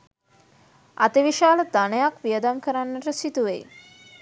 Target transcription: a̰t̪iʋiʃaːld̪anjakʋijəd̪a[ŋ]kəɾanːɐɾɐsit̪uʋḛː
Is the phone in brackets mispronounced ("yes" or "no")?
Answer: yes